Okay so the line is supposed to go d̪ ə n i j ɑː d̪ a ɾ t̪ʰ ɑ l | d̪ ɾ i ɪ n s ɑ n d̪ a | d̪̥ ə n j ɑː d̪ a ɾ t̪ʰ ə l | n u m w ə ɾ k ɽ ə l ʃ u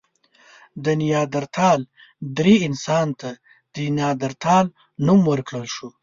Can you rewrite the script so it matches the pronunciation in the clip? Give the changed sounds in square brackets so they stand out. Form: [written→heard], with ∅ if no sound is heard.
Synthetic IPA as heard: d̪ ə n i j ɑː d̪ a ɾ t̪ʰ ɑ l | d̪ ɾ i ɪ n s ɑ n [d̪→t̪] a | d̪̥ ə n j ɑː d̪ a ɾ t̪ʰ [ə→ɑ] l | n u m w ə ɾ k ɽ ə l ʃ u